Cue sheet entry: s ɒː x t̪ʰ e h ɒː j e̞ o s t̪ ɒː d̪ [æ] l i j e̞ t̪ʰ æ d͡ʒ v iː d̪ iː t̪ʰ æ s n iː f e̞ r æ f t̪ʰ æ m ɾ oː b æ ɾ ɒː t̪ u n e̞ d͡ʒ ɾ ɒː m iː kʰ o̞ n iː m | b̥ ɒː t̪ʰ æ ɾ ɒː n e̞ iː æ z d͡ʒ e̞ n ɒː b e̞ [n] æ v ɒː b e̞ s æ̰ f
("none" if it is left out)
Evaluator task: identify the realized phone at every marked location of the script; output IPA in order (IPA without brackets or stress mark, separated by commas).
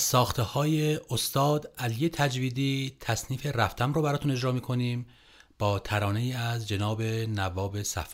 æ, n